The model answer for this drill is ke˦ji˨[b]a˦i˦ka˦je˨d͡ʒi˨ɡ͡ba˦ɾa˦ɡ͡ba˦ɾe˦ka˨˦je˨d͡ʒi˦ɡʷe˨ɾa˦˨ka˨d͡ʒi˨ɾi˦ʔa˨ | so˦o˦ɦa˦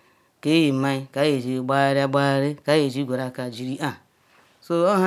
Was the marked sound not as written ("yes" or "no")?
yes